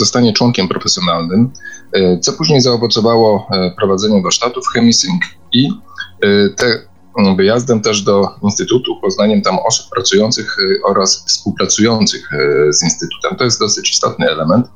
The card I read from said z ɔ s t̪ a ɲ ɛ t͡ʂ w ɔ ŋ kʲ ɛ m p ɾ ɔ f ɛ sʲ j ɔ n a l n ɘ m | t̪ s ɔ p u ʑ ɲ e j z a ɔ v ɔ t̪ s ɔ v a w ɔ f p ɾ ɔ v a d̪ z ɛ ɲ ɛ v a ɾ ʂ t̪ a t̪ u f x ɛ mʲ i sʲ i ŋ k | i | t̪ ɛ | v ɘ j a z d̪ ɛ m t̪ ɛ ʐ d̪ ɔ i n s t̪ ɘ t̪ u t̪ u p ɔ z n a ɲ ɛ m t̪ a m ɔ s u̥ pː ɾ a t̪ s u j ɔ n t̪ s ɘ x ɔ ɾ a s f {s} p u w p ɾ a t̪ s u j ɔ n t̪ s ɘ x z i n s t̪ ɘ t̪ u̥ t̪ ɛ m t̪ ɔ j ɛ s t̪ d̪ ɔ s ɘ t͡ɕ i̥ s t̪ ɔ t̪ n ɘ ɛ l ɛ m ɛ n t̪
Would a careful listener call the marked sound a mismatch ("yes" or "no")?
no